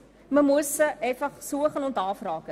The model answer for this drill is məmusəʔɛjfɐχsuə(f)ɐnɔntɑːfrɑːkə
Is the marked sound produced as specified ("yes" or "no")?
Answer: no